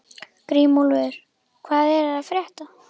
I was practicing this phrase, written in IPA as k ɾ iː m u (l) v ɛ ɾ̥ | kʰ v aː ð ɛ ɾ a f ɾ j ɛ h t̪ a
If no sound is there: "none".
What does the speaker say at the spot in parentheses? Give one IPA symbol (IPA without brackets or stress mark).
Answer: l